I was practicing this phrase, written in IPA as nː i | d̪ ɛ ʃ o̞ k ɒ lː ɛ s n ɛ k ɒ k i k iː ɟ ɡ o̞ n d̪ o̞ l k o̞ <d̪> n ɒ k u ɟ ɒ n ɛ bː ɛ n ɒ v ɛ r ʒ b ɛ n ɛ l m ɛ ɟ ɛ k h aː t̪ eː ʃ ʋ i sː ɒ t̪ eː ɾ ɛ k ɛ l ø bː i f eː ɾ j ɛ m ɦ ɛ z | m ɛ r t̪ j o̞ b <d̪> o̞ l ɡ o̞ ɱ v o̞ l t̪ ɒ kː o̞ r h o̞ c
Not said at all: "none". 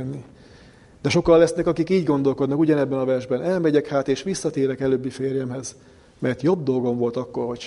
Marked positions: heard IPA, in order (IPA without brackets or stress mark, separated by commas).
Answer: d̪, d̪